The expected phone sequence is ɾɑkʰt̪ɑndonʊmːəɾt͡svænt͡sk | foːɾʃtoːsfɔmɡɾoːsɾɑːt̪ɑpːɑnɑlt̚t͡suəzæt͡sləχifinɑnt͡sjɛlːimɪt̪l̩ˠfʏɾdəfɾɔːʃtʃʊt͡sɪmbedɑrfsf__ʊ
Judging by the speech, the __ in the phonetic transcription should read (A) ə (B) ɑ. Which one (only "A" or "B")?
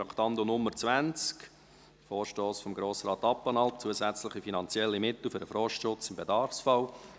B